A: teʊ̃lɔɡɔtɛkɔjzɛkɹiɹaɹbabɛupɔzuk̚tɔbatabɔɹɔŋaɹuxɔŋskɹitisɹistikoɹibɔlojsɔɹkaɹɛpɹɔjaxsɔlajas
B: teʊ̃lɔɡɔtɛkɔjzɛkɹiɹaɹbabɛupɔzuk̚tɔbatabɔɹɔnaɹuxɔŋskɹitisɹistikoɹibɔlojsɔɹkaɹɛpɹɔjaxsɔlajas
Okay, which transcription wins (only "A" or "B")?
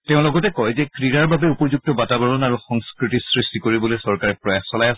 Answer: B